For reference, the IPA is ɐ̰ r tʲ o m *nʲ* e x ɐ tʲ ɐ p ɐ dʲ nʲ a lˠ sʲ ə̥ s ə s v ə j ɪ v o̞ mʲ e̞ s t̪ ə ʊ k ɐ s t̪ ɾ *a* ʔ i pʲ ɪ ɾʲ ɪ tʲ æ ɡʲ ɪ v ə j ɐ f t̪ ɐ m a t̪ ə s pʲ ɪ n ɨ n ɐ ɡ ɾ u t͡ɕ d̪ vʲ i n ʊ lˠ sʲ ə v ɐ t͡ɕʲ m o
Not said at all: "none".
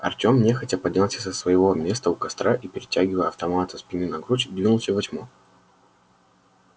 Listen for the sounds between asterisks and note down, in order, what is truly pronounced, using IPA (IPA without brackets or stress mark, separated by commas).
nʲ, a